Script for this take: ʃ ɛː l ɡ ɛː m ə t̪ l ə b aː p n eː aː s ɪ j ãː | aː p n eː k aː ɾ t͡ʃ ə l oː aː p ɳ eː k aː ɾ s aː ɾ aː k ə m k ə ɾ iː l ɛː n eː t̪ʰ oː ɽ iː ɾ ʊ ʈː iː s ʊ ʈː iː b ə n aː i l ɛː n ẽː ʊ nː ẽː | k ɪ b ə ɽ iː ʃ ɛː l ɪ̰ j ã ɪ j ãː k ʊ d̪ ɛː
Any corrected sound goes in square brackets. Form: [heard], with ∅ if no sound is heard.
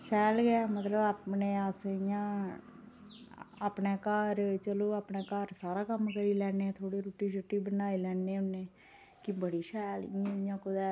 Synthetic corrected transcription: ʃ ɛː l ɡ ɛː m ə t̪ l ə b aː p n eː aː s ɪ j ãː | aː p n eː k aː ɾ t͡ʃ ə l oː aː p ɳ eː k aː ɾ s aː ɾ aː k ə m k ə ɾ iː l ɛː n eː t̪ʰ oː ɽ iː ɾ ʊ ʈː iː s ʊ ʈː iː b ə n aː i l ɛː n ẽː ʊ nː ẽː | k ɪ b ə ɽ iː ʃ ɛː l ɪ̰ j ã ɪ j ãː k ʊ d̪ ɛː

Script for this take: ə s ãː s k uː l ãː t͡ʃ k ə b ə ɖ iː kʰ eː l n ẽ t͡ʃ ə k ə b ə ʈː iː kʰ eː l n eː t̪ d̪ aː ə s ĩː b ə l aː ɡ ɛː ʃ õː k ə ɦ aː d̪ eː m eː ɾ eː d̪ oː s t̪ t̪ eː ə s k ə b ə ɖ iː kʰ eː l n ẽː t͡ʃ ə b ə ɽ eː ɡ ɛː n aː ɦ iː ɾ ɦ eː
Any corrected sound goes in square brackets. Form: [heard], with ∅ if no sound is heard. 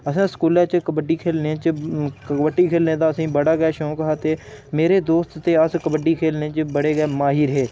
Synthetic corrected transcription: ə s ãː s k uː l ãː t͡ʃ k ə b ə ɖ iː kʰ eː l n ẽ t͡ʃ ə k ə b ə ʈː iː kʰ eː l n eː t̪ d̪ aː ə s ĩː b ə [ɽ] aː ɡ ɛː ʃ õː k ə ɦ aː [t̪] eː m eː ɾ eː d̪ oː s t̪ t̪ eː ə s k ə b ə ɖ iː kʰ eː l n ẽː t͡ʃ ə b ə ɽ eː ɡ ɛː [m] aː ɦ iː ɾ ɦ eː

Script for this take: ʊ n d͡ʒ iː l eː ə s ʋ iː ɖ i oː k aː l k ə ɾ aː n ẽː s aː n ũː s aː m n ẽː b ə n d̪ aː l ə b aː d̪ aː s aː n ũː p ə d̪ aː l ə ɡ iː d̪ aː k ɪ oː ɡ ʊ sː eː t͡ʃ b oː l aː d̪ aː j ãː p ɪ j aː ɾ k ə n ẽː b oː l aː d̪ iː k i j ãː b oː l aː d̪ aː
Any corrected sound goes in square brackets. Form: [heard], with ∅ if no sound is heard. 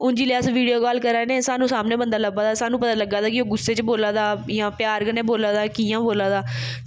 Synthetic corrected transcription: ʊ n d͡ʒ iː l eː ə s ʋ iː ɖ i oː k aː l k ə ɾ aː n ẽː s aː n ũː s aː m n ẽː b ə n d̪ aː l ə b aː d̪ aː s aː n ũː p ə [t̪] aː l ə ɡ [aː] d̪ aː k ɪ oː ɡ ʊ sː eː t͡ʃ b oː l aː d̪ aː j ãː p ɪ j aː ɾ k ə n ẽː b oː l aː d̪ [aː] k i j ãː b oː l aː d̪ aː

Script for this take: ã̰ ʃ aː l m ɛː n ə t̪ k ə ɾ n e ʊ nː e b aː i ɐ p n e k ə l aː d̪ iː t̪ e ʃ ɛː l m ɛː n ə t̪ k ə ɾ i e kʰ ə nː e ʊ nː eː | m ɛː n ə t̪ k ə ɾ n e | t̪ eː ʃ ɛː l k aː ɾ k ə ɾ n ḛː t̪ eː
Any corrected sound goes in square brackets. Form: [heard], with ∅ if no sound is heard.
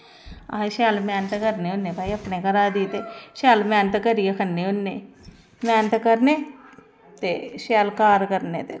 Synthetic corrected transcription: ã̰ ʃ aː l m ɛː n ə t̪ k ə ɾ n e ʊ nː e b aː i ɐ p n e k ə [ɾ] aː d̪ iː t̪ e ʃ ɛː l m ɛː n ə t̪ k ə ɾ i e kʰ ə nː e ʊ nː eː | m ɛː n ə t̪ k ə ɾ n e | t̪ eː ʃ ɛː l k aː ɾ k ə ɾ n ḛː t̪ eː

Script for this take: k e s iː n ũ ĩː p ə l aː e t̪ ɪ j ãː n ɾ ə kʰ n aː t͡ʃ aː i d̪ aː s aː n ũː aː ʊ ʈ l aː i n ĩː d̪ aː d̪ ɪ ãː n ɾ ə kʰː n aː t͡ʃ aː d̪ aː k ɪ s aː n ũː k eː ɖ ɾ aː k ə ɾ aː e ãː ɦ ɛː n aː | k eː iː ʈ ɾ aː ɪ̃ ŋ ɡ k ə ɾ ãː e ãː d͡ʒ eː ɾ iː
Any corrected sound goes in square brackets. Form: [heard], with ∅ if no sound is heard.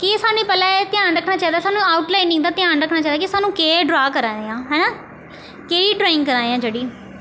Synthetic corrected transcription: k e s [aː] n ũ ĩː p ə l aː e t̪ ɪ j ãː n ɾ ə kʰ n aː t͡ʃ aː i d̪ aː s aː n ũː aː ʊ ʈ l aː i n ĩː d̪ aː [t̪] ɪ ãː n ɾ ə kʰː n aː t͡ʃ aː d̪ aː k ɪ s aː n ũː k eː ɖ ɾ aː k ə ɾ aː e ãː ɦ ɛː n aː | k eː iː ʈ ɾ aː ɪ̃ ŋ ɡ k ə ɾ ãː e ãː d͡ʒ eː [ɽ] iː

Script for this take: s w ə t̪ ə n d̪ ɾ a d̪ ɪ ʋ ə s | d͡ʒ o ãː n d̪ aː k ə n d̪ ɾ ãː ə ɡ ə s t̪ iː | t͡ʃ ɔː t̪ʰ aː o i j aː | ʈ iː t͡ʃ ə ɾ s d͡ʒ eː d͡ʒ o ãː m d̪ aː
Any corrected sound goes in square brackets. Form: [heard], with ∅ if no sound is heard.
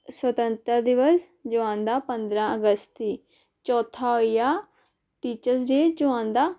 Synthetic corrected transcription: s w ə t̪ ə n [t̪] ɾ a d̪ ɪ ʋ ə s | d͡ʒ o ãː n d̪ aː [p] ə n d̪ ɾ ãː ə ɡ ə s t̪ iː | t͡ʃ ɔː t̪ʰ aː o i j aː | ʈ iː t͡ʃ ə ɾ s d͡ʒ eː d͡ʒ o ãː [n] d̪ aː

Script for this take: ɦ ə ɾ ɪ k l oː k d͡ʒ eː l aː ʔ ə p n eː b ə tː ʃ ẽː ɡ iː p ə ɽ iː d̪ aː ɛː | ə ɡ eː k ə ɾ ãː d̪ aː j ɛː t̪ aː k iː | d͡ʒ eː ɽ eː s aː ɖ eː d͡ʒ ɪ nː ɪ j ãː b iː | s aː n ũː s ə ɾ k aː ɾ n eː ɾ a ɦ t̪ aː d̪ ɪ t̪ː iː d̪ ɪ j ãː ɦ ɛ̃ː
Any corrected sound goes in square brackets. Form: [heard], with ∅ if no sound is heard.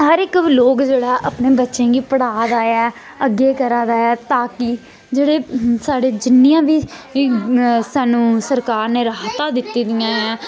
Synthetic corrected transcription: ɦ ə ɾ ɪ k l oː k d͡ʒ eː [ɽ] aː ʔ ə p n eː b ə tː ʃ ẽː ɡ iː p ə ɽ [aː] d̪ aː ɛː | ə ɡ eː k ə ɾ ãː d̪ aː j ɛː t̪ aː k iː | d͡ʒ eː ɽ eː s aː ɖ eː d͡ʒ ɪ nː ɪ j ãː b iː | s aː n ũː s ə ɾ k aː ɾ n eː ɾ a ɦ t̪ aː d̪ ɪ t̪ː iː d̪ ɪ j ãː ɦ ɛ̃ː

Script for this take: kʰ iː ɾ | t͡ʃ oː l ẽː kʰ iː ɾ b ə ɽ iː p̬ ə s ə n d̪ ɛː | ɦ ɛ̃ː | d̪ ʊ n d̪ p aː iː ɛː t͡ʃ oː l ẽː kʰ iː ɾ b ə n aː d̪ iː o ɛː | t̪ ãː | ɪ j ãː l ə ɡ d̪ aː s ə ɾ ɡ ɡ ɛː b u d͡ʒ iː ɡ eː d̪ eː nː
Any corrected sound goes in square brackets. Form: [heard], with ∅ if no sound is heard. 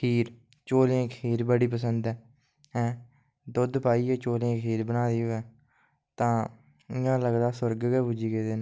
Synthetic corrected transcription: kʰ iː ɾ | t͡ʃ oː l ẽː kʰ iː ɾ b ə ɽ iː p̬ ə s ə n d̪ ɛː | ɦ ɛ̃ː | d̪ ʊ [∅] d̪ p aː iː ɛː t͡ʃ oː l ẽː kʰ iː ɾ b ə n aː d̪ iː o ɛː | t̪ ãː | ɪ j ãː l ə ɡ d̪ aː s ə ɾ ɡ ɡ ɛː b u d͡ʒ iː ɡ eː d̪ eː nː

